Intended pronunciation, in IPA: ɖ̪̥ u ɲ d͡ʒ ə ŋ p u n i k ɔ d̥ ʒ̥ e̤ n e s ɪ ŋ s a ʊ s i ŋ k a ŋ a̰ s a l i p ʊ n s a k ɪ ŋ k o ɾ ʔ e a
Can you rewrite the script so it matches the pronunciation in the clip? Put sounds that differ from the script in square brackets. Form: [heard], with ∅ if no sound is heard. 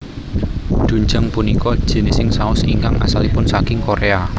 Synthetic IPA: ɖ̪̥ u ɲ d͡ʒ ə ŋ p u n i k ɔ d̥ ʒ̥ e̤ n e s ɪ ŋ s a ʊ s i ŋ k a ŋ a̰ s a l i p ʊ n s a k ɪ ŋ k o ɾ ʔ e a